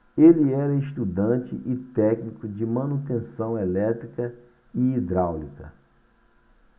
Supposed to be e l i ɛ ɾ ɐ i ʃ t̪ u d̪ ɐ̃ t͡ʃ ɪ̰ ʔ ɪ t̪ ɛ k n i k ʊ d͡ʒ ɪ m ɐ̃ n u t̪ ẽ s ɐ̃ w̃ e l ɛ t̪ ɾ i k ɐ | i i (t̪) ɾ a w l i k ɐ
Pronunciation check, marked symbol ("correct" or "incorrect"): incorrect